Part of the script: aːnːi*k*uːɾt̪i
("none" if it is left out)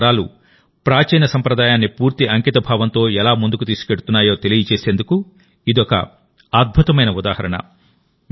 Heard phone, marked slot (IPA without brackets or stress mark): p